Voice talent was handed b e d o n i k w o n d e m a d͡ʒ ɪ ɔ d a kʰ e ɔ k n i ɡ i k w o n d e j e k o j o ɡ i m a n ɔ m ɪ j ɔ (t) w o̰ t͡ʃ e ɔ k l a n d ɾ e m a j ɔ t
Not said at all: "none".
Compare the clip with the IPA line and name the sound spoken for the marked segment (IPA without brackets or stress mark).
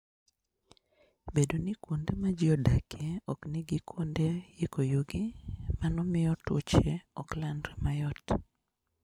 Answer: t